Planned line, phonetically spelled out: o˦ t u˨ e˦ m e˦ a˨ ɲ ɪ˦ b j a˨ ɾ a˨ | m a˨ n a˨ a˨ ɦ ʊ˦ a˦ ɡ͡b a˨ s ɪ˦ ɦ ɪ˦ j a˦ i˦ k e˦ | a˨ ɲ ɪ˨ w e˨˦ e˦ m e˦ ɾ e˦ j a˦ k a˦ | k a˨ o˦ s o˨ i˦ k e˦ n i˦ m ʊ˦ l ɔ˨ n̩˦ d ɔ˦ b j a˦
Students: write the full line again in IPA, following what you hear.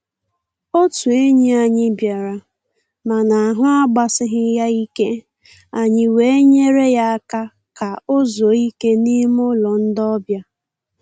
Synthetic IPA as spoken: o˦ t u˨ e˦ ɲ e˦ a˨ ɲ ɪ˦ b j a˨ ɾ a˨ | m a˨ n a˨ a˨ ɦ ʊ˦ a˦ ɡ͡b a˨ s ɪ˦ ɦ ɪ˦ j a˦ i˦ k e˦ | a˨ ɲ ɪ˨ w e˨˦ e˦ ɲ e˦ ɾ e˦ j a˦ k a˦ | k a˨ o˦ z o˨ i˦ k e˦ n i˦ m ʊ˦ l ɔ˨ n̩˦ d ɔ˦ b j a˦